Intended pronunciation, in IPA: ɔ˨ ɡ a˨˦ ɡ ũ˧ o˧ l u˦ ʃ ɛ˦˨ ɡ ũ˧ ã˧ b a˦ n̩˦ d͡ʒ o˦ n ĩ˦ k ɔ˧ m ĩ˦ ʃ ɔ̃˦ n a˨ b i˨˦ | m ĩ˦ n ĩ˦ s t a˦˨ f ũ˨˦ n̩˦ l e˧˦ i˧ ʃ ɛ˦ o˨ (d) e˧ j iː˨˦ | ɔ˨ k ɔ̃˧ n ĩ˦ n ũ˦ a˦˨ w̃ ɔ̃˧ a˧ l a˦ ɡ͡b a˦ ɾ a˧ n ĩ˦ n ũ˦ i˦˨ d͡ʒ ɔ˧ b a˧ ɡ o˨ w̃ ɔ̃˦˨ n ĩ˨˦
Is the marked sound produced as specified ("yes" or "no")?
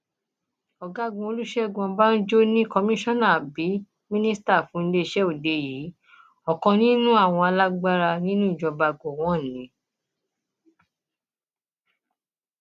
yes